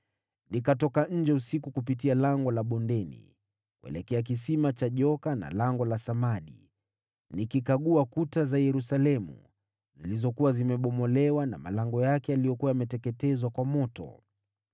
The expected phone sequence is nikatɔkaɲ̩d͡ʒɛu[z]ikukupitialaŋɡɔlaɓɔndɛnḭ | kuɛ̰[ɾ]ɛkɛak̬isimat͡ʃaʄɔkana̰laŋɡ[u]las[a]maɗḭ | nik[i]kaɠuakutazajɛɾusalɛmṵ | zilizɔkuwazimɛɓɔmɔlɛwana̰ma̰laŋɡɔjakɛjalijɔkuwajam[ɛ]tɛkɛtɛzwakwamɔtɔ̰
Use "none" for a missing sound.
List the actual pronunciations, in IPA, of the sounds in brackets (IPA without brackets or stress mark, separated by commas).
s, l, ɔ, a, i, ɛ